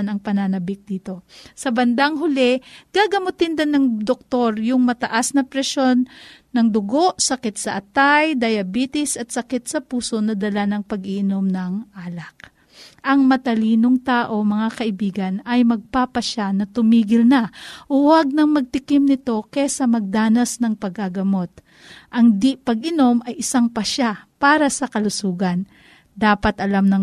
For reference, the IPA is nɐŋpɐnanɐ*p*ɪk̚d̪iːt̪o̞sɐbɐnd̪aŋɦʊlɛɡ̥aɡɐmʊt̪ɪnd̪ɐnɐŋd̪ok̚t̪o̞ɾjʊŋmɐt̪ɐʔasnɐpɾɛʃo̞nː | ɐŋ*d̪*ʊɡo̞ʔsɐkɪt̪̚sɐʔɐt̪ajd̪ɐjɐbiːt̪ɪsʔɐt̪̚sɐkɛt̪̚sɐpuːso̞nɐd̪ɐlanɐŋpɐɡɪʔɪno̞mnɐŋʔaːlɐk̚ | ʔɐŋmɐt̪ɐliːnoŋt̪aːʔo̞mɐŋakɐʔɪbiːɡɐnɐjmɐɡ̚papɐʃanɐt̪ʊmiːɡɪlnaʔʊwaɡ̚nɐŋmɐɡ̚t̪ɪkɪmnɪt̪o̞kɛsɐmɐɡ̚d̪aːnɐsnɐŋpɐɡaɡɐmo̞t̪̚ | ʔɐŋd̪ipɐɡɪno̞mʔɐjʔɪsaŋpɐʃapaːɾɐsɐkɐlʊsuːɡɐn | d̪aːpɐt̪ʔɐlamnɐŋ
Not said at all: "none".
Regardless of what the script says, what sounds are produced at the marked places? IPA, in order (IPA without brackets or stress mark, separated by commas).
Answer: b, d̪